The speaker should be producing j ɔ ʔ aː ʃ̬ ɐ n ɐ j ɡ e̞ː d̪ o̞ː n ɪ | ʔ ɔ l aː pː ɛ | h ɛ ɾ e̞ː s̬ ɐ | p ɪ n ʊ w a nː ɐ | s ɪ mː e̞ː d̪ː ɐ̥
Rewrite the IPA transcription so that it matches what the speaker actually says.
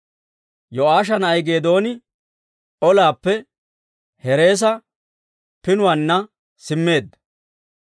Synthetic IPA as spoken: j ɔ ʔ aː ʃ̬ ɐ n ɐ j ɡ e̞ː d̪ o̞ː n ɪ | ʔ ɔ l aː pː ɛ | h ɛ ɾ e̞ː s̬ ɐ | p ɪ n ʊ w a nː ɐ | s ɪ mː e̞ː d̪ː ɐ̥

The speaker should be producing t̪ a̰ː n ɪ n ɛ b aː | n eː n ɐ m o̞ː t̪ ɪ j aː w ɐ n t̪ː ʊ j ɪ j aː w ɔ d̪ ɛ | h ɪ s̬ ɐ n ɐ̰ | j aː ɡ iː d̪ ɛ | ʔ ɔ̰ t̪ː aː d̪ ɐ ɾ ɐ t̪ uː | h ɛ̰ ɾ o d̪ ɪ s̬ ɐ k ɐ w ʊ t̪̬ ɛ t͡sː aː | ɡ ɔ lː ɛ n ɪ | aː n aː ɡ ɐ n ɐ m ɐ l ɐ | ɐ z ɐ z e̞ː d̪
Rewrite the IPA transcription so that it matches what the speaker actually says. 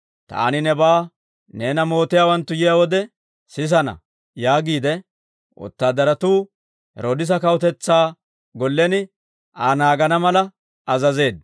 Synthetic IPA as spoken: t̪ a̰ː n ɪ n ɛ b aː | n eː n ɐ m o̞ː t̪ ɪ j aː w ɐ n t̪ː ʊ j ɪ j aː w ɔ d̪ ɛ | s ɪ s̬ ɐ n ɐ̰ | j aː ɡ iː d̪ ɛ | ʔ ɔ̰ t̪ː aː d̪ ɐ ɾ ɐ t̪ uː | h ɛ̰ ɾ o d̪ ɪ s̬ ɐ k ɐ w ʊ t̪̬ ɛ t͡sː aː | ɡ ɔ lː ɛ n ɪ | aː n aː ɡ ɐ n ɐ m ɐ l ɐ | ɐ z ɐ z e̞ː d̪

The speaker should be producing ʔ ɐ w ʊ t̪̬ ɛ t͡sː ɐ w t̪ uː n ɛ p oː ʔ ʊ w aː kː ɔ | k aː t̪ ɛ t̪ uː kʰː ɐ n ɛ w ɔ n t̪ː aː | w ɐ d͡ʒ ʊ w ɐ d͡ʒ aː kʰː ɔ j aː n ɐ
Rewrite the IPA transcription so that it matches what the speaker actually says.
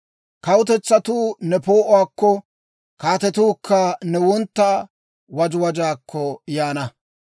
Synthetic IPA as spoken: k ɐ w ʊ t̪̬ ɛ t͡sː ɐ t̪ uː n ɛ p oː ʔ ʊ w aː kː ɔ | k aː t̪ ɛ t̪ uː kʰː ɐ n ɛ w ɔ n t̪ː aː | w ɐ d͡ʒ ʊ w ɐ d͡ʒ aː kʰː ɔ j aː n ɐ

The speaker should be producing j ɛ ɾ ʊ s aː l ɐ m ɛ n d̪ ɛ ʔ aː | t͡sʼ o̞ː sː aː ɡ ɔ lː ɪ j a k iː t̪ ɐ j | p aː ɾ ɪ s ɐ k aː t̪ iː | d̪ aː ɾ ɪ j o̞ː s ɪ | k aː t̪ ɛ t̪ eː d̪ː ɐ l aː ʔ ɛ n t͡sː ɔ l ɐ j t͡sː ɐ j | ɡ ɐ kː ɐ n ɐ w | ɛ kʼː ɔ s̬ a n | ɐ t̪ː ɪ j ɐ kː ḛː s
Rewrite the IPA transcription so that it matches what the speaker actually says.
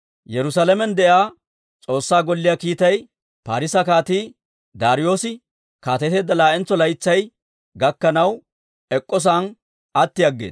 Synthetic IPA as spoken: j ɛ ɾ ʊ s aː l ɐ m ɛ n d̪ ɛ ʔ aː | t͡sʼ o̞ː sː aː ɡ ɔ lː ɪ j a k iː t̪ ɐ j | p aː ɾ ɪ s ɐ k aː t̪ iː | d̪ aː ɾ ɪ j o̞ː s ɪ | k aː t̪ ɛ t̪ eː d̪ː ɐ l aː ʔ ɛ n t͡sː ɔ l ɐ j t͡sː ɐ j | ɡ ɐ kː ɐ n ɐ w | ɛ kʼː ɔ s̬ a n | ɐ t̪ː ɪ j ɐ ɡː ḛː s

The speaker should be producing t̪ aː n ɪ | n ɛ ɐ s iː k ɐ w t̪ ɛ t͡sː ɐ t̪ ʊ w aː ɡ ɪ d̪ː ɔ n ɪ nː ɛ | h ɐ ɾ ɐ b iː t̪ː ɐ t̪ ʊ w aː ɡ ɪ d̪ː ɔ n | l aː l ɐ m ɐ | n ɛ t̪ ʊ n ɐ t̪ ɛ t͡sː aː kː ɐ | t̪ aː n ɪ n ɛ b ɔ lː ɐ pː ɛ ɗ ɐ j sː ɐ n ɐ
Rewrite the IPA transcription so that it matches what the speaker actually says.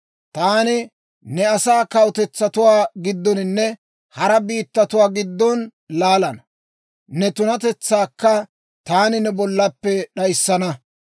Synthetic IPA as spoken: t̪ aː n ɪ | n ɛ ɐ s aː k ɐ w t̪ ɛ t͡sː ɐ t̪ ʊ w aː ɡ ɪ d̪ː ɔ n ɪ nː ɛ | h ɐ ɾ ɐ b iː t̪ː ɐ t̪ ʊ w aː ɡ ɪ d̪ː ɔ n | l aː l ɐ n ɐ | n ɛ t̪ ʊ n ɐ t̪ ɛ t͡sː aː kː ɐ | t̪ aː n ɪ n ɛ b ɔ lː ɐ pː ɛ ɗ ɐ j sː ɐ n ɐ

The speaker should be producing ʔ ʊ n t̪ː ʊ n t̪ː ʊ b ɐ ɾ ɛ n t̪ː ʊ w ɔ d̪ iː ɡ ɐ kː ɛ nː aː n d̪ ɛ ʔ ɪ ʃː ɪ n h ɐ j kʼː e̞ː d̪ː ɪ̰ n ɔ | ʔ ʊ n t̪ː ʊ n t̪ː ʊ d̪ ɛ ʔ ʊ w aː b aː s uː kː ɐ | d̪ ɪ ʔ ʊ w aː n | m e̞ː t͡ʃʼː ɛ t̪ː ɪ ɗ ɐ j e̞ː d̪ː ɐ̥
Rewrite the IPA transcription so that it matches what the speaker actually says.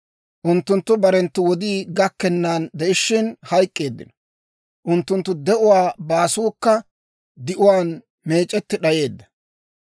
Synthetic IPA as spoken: ʔ ʊ n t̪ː ʊ n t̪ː ʊ b ɐ ɾ ɛ n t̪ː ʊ w ɔ d̪ iː ɡ ɐ kː ɛ nː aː n d̪ ɛ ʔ ɪ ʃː ɪ n h ɐ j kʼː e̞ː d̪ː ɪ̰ n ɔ | ʔ ʊ n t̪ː ʊ n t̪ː ʊ d̪ ɛ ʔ ʊ w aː b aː s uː kː ɐ | d̪ ɪ ʔ ʊ w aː n | m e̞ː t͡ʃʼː ɛ t̪ː ɪ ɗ ɐ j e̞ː d̪ː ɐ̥

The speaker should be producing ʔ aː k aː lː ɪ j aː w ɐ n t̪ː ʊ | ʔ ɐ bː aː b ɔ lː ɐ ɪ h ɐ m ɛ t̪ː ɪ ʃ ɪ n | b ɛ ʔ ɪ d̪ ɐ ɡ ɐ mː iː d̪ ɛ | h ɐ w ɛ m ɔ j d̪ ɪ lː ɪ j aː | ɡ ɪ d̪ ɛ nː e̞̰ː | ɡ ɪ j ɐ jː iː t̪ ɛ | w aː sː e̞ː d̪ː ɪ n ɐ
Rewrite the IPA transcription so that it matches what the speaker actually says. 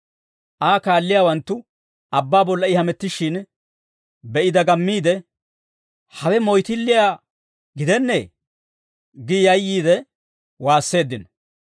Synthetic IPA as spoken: ʔ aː k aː lː ɪ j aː w ɐ n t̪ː ʊ | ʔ ɐ bː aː b ɔ lː ɐ ɪ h ɐ m ɛ t̪ː ɪ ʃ ɪ n | b ɛ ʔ ɪ d̪ ɐ ɡ ɐ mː iː d̪ ɛ | h ɐ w ɛ m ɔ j t̪ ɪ lː ɪ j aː | ɡ ɪ d̪ ɛ nː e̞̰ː | ɡ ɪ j ɐ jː iː d̪ ɛ | w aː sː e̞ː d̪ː ɪ n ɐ

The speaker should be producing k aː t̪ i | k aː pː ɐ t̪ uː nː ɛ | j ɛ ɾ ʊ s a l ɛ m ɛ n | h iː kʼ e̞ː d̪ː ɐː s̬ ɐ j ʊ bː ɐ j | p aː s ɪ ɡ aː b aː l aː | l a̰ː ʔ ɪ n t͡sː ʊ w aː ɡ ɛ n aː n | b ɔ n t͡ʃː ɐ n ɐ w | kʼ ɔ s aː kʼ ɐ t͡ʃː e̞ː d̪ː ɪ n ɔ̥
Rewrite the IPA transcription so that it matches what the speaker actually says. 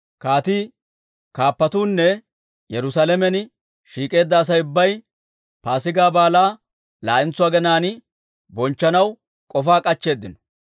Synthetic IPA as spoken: k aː t̪ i | k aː pː ɐ t̪ uː nː ɛ | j ɛ ɾ ʊ s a l ɛ m ɛ n | ʃ iː kʼ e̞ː d̪ː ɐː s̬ ɐ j ʊ bː ɐ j | p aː s ɪ ɡ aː b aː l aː | l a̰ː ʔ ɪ n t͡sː ʊ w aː ɡ ɛ n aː n | b ɔ n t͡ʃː ɐ n ɐ w | kʼ ɔ f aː kʼ ɐ t͡ʃː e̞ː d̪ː ɪ n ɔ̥

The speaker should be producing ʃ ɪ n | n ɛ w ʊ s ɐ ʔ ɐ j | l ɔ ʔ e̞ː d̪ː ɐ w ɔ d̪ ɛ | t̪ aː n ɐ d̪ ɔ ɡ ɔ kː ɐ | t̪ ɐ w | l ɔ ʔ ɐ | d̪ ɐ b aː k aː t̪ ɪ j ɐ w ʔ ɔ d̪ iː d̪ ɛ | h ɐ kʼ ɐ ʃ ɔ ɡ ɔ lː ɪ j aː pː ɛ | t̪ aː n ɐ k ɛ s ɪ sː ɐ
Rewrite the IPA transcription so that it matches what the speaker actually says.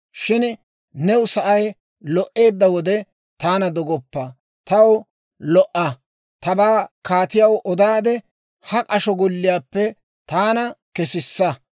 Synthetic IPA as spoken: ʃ ɪ n | n ɛ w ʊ s ɐ ʔ ɐ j | l ɔ ʔ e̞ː d̪ː ɐ w ɔ d̪ ɛ | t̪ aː n ɐ d̪ ɔ ɡ ɔ pː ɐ | t̪ ɐ w | l ɔ ʔ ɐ | t̪ ɐ b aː k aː t̪ ɪ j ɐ w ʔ ɔ d̪ aː d̪ ɛ | h ɐ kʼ ɐ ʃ ɔ ɡ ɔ lː ɪ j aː pː ɛ | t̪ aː n ɐ k ɛ s ɪ sː ɐ

